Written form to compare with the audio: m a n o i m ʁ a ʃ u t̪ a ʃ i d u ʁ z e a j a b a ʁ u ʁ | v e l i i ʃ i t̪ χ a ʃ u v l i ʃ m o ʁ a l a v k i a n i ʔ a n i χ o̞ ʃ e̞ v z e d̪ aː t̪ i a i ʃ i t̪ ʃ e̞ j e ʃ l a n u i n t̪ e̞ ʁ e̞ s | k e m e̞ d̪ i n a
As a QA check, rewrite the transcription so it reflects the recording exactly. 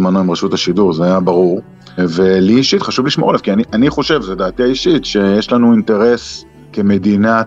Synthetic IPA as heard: m a n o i m ʁ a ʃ u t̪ a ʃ i d u ʁ z e a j a b a ʁ u ʁ | v e l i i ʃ i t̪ χ a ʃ u v l i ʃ m o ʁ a l a v k i a n i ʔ a n i χ o̞ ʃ e̞ v z e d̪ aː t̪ i a i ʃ i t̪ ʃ e̞ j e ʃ l a n u i n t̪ e̞ ʁ e̞ s | k e m e̞ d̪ i n a